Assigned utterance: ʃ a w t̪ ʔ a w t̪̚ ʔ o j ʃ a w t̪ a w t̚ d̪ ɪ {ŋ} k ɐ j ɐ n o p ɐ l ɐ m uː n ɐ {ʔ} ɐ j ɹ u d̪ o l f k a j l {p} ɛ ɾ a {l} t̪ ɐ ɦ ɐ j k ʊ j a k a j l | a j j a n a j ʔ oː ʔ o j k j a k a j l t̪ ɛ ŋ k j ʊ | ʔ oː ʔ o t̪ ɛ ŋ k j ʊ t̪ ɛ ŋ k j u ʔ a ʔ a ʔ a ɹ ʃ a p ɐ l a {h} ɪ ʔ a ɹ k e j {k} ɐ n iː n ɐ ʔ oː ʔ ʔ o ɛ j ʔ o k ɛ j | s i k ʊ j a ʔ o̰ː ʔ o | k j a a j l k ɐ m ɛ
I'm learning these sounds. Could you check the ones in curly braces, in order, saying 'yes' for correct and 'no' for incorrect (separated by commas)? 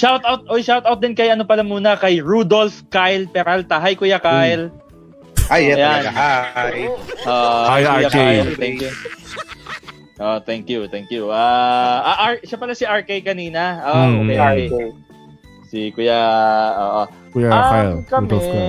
no, no, yes, yes, no, yes